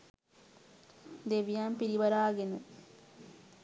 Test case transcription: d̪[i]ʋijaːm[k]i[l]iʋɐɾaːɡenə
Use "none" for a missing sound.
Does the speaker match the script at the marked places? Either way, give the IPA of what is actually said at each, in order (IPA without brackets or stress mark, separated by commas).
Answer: e, p, ɾ